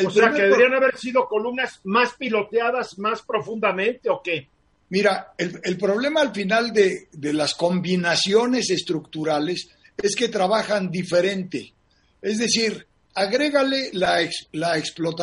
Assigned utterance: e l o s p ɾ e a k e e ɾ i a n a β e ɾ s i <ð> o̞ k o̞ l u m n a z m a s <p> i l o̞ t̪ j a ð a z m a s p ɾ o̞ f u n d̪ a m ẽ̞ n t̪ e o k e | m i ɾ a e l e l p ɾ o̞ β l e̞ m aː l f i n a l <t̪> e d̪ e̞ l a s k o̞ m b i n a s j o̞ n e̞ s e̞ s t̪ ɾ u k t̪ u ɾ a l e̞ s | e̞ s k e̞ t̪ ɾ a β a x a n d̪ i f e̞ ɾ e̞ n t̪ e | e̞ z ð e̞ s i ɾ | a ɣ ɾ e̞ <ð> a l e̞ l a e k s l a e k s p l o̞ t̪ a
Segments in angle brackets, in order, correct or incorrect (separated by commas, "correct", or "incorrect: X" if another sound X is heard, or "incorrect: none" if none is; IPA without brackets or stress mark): correct, correct, incorrect: d̪, incorrect: ɣ